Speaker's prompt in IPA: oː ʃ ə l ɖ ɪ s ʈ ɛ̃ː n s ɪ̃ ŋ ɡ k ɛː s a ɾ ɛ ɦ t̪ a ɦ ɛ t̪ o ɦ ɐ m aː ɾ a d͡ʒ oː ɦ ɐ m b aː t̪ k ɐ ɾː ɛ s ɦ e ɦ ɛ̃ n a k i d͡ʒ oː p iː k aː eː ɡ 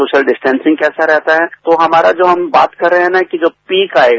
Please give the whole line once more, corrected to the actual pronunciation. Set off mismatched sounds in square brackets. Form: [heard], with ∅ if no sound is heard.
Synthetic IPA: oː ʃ ə l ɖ ɪ s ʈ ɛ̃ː n s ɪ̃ ŋ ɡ k ɛː s a ɾ ɛ ɦ t̪ a ɦ ɛ t̪ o ɦ ɐ m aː ɾ a d͡ʒ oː ɦ ɐ m b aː t̪ k ɐ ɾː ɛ [∅] ɦ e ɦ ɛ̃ n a k i d͡ʒ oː p iː k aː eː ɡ